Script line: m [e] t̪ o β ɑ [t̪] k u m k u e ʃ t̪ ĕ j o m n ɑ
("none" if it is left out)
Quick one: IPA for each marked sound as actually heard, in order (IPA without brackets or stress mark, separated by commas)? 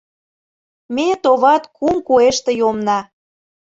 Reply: e, t̪